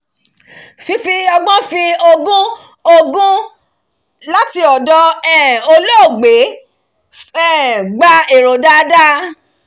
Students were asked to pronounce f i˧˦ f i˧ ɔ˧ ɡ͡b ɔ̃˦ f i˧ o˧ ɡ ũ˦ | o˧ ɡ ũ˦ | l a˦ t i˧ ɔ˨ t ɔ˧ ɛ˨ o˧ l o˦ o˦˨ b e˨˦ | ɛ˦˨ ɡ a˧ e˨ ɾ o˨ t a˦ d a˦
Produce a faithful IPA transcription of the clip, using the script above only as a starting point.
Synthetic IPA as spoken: f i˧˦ f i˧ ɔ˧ ɡ͡b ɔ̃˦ f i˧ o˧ ɡ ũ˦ | o˧ ɡ ũ˦ | l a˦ t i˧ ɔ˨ d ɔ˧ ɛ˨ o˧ l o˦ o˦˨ ɡ͡b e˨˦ | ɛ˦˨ ɡ͡b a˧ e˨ ɾ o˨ d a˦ d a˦

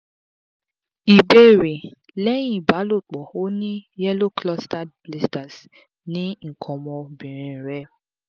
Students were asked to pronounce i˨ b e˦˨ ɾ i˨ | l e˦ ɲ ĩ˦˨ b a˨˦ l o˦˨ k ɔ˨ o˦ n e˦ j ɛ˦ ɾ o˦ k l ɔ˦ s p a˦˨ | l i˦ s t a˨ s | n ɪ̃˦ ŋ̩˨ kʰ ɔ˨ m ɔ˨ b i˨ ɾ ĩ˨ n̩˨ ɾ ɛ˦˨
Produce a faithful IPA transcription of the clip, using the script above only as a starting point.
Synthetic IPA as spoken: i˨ b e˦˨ ɾ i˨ | l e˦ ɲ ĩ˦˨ b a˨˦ l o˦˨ k͡p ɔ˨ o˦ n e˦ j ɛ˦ l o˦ k l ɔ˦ s t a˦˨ | l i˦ s t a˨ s | n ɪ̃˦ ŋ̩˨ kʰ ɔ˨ m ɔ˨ b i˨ ɾ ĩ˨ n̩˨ ɾ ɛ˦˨

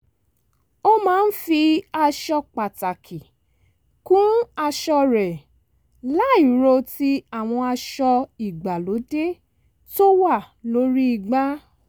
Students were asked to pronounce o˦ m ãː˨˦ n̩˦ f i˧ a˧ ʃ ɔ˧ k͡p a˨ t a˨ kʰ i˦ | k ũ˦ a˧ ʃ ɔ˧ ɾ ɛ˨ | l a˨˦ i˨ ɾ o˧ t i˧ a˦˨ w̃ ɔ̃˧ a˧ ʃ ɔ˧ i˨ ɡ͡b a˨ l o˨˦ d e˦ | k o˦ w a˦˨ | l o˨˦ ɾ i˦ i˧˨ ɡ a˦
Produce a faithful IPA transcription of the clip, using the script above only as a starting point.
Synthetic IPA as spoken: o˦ m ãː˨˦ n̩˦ f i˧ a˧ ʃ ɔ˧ k͡p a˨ t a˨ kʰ i˨ | k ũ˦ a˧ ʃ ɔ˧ ɾ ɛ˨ | l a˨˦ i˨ ɾ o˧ t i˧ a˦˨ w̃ ɔ̃˧ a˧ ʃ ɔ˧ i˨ ɡ͡b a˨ l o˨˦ d e˦ | t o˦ w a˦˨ | l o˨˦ ɾ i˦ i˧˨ ɡ͡b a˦

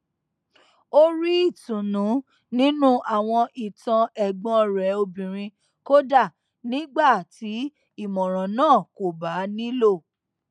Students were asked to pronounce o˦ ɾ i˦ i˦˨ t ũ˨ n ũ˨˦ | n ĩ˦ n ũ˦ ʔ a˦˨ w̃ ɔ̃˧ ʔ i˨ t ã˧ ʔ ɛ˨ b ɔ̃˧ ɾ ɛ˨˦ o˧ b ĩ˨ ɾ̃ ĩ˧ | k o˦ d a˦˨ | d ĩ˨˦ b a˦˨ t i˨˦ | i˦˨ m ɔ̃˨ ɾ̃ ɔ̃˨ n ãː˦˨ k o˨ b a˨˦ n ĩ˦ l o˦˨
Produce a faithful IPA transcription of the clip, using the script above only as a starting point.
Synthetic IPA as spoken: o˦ ɾ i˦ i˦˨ t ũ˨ n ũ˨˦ | n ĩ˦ n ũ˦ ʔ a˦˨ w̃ ɔ̃˧ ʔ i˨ t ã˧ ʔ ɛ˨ ɡ͡b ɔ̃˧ ɾ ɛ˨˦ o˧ b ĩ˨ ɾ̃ ĩ˧ | k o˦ d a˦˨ | n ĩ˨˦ ɡ͡b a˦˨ t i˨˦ | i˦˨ m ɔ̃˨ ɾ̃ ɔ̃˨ n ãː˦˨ k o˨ b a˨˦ n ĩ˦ l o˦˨

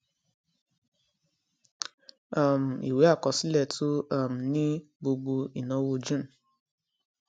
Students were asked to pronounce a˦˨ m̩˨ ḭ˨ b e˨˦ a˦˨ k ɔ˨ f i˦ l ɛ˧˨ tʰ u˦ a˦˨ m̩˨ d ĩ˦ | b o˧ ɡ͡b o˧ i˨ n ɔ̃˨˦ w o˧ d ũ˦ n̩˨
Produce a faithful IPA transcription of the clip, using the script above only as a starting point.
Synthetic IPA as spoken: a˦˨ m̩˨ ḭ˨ w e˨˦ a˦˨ k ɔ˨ s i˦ l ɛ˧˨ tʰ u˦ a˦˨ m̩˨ n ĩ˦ | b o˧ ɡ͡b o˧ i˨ n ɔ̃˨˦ w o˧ d͡ʒ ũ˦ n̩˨

